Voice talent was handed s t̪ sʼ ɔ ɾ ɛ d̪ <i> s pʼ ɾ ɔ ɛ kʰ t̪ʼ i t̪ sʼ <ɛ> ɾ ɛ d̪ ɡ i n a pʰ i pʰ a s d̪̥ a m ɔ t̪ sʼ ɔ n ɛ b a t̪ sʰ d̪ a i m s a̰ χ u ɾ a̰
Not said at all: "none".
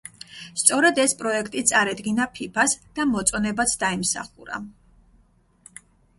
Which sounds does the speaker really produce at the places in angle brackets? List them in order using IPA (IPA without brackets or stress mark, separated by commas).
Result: ɛ, a